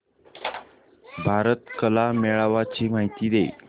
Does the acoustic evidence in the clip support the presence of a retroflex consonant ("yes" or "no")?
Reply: yes